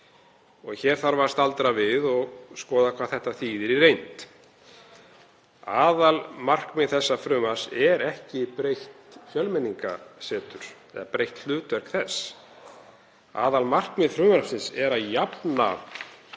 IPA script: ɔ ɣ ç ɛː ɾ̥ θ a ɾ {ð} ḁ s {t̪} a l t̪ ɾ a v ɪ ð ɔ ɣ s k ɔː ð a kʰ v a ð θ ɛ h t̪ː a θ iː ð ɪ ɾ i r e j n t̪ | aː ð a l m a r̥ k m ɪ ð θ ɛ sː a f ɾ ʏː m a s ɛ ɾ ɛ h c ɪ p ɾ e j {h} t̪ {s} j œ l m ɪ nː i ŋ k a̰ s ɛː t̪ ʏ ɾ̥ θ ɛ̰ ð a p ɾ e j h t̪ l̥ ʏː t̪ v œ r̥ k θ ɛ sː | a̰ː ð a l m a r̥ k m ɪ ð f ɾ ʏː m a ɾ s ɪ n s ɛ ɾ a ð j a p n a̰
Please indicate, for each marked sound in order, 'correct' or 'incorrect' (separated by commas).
incorrect, correct, correct, incorrect